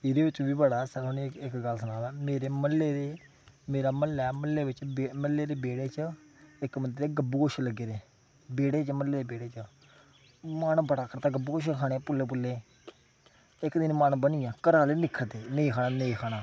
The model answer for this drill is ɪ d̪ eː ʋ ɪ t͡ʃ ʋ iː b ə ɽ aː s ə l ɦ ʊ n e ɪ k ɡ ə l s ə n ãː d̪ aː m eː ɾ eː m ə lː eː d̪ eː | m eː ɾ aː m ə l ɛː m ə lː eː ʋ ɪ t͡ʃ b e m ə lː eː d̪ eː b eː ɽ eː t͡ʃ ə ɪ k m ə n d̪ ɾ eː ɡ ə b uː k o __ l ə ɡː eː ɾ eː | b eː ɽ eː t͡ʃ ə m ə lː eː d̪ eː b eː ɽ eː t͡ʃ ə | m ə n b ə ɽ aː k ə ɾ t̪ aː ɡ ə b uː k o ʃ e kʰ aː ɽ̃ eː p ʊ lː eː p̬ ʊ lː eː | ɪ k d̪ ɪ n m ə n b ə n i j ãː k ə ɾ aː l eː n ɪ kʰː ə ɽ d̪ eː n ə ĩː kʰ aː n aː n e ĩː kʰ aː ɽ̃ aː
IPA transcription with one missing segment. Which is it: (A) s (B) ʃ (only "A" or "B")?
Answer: B